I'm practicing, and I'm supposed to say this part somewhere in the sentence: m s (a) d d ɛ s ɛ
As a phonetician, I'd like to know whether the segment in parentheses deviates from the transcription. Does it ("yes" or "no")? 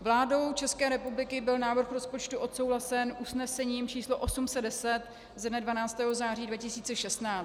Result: yes